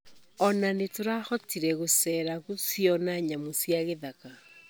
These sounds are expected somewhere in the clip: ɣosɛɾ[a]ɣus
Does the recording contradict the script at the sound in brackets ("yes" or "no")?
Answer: no